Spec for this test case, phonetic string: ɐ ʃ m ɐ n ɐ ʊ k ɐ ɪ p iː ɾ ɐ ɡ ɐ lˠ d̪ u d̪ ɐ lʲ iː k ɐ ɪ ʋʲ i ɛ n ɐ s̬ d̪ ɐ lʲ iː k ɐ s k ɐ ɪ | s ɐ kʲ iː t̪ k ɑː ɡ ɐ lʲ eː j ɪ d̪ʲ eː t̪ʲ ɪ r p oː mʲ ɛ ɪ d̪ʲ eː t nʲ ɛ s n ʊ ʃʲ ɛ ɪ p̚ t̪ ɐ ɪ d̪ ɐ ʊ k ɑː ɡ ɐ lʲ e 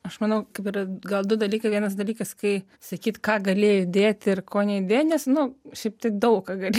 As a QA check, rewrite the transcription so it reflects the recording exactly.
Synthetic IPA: ɐ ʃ m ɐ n ɐ ʊ k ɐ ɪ p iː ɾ ɐ ɡ ɐ lˠ d̪ ʊ d̪ ɐ lʲ iː k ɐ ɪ ʋʲ i ɛ n ɐ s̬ d̪ ɐ lʲ iː k ɐ s k ɐ ɪ | s ɐ kʲ iː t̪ k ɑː ɡ ɐ lʲ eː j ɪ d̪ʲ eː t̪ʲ ɪ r k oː nʲ ɛ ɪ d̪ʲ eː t nʲ ɛ s n ʊ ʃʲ ɛ ɪ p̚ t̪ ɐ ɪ d̪ ɐ ʊ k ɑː ɡ ɐ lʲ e